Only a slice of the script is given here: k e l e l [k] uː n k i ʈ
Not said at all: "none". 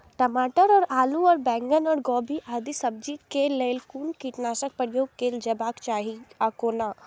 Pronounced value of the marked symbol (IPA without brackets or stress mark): k